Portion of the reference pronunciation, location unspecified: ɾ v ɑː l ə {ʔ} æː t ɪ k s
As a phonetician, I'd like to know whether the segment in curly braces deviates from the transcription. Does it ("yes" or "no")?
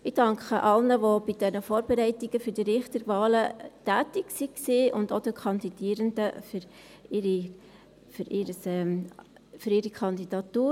yes